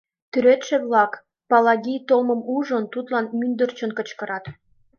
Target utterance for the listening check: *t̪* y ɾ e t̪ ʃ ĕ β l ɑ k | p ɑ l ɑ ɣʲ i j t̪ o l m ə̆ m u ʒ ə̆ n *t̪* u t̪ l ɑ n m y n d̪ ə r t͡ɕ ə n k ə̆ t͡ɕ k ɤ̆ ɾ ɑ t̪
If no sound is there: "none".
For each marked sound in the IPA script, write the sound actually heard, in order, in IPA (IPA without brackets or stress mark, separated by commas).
t̪, t̪